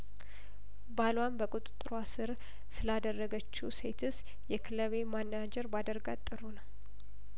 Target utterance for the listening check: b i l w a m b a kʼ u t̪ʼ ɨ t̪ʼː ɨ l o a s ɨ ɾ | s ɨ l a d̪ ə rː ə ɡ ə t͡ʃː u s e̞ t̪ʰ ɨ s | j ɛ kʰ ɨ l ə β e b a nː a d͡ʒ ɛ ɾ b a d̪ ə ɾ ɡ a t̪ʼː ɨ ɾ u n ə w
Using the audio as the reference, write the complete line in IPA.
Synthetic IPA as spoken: b a l w a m b ə kʼ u t̪ʼ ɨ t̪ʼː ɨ ɾ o a s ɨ ɾ | s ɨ l a d̪ ə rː ə ɡ ə t͡ʃː u s e̞ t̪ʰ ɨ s | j ɛ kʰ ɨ l ə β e m a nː a d͡ʒ ɛ ɾ b a d̪ ə ɾ ɡ a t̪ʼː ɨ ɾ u n ə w

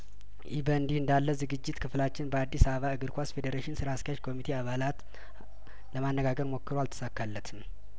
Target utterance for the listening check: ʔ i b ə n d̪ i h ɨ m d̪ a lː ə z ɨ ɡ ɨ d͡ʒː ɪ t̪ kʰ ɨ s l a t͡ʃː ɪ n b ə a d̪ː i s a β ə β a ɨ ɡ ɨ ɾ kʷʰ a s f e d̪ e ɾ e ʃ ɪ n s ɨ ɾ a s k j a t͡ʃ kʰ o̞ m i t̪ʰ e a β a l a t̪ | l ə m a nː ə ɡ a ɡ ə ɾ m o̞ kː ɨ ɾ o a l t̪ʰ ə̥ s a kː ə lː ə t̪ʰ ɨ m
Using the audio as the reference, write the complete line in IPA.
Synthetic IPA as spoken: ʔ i b ə n d̪ i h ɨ n d̪ a lː ə z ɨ ɡ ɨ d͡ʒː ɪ t̪ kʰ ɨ f l a t͡ʃː ɪ n b ə a d̪ː i s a β ə β a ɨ ɡ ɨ ɾ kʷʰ a s f e d̪ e ɾ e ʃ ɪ n s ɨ ɾ a s k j a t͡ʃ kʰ o̞ m i t̪ʰ e a β a l a t̪ | l ə m a nː ə ɡ a ɡ ə ɾ m o̞ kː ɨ ɾ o a l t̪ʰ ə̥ s a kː a lː ə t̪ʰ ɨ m

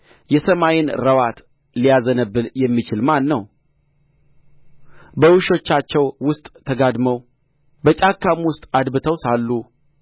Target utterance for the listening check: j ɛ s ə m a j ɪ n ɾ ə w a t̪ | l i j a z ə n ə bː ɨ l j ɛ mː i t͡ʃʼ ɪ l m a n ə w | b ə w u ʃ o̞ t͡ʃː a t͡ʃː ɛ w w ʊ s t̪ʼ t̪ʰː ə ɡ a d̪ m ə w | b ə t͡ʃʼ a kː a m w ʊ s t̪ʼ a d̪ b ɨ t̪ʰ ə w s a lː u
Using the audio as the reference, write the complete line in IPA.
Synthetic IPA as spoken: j ɛ s ə m a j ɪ n ɾ ə w a t̪ | l i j a z ə n ə bː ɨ l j ɛ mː i t͡ʃ ɪ l m a nː ə w | b ə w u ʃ o̞ t͡ʃː a t͡ʃː ɛ w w ʊ s t̪ʼ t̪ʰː ə ɡ a d̪ m ə w | b ə t͡ʃʼ a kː a m w ʊ s t̪ʼ a d̪ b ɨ t̪ʰ ə w s a lː u

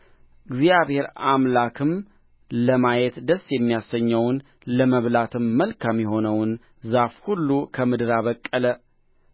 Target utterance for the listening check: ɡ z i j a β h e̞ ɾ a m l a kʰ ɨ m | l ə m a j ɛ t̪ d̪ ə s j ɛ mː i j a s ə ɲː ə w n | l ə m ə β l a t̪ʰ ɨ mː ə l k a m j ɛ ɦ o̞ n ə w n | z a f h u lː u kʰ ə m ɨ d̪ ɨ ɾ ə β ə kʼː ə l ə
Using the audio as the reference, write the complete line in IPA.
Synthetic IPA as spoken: ɡ z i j a β h e̞ ɾ a m l a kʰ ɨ m | l ə m a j ɛ t̪ d̪ ə s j ɛ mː i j a s ə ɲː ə w n | l ə m ə β l a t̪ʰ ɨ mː ə l k a m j ɛ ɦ o̞ n ə w n | z a f h u lː u kʰ ə m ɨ d̪ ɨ ɾ a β ə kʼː ə l ə

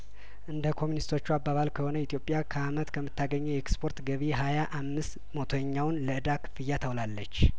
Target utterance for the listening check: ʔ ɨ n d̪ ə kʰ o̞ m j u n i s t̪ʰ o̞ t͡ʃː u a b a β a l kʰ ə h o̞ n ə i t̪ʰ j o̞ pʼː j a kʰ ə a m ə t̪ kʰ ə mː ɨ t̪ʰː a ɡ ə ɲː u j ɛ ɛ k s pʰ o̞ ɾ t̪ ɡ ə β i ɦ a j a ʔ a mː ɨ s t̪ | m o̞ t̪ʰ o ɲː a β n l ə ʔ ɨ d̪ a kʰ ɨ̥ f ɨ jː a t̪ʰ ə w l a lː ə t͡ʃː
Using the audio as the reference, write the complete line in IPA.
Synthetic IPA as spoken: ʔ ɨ n d̪ ə kʰ o̞ m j u n i s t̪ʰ o̞ t͡ʃː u a b a β a l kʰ ə h o̞ n ə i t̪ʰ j o̞ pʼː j a kʰ ə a m ə t̪ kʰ ə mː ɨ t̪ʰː a ɡ ə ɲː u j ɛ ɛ k s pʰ o̞ ɾ t̪ ɡ ə β i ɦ a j a ʔ a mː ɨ s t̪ | m o̞ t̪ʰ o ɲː a w n l ə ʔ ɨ d̪ a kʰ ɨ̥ f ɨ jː a t̪ʰ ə w l a lː ə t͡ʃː

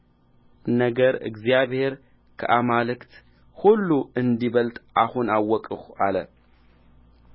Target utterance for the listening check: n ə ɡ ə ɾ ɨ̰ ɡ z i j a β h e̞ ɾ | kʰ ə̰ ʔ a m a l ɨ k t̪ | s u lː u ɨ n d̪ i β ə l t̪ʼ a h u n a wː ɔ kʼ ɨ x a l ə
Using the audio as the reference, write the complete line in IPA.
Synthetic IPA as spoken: n ə ɡ ə ɾ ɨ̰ ɡ z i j a β h e̞ ɾ | kʰ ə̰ ʔ a m a l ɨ k t̪ | h u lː u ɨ n d̪ i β ə l t̪ʼ a h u n a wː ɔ kʼ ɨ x a l ə

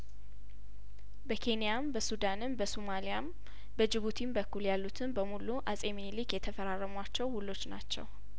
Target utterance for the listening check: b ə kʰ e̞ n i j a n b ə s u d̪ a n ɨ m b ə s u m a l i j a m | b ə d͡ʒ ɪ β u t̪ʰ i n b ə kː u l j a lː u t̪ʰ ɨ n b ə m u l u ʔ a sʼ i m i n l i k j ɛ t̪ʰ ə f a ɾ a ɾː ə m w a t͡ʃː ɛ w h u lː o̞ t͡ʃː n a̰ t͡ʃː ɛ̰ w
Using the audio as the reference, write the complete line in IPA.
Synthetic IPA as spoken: b ə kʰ e̞ n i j a m b ə s u d̪ a n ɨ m b ə s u m a l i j a m | b ə d͡ʒ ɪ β u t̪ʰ i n b ə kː u l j a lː u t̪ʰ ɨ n b ə m u l u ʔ a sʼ e m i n l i k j ɛ t̪ʰ ə f ə ɾ a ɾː ə m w a t͡ʃː ɛ w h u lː o̞ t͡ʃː n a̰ t͡ʃː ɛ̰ w

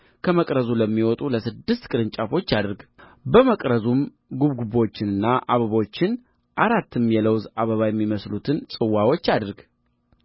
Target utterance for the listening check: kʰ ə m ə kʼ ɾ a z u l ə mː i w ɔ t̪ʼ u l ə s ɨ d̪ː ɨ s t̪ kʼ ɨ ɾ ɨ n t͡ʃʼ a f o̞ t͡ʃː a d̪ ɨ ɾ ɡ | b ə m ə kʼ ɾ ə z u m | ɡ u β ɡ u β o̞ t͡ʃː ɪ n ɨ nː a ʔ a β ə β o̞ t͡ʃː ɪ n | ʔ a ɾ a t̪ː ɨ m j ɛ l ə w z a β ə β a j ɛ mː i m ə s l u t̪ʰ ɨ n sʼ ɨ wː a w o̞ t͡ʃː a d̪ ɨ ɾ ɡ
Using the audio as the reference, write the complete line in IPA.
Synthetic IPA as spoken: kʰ ə m ə kʼ ɾ ə z u l ə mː i w ɔ t̪ʼ u l ə s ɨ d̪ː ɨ s t̪ kʼ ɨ ɾ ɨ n t͡ʃʼ a f o̞ t͡ʃː a d̪ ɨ ɾ ɡ | b ə m ə kʼ ɾ ə z u m | ɡ u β ɡ u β o̞ t͡ʃː ɪ n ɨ nː a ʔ a β ə β o̞ t͡ʃː ɪ n | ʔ a ɾ a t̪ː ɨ m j ɛ l ə w z a β ə β a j ɛ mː i m ə s l u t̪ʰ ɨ n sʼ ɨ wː a w o̞ t͡ʃː a d̪ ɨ ɾ ɡ

